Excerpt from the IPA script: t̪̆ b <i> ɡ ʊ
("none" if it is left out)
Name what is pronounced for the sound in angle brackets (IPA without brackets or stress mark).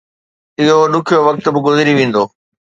ɪ